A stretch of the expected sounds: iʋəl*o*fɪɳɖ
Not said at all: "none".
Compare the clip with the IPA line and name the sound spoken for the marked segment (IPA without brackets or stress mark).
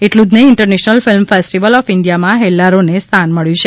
ɔ